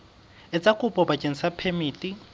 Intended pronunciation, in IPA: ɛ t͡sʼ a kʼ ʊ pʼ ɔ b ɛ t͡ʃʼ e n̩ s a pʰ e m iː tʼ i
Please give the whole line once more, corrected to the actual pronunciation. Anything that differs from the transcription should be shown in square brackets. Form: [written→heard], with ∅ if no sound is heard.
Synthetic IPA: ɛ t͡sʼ a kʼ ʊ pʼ ɔ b [ɛ→a] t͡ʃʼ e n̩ s a pʰ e m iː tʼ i